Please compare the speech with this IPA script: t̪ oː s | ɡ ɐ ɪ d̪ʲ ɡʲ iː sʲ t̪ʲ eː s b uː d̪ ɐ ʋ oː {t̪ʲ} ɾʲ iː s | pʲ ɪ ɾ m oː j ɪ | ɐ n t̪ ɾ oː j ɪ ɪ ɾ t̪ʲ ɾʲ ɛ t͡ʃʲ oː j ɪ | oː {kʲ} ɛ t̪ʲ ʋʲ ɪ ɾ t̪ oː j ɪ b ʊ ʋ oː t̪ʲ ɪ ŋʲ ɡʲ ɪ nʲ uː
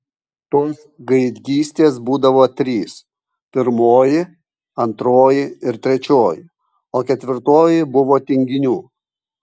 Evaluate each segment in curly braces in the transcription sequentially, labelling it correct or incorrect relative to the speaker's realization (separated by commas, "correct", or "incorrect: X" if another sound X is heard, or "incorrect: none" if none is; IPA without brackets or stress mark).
correct, correct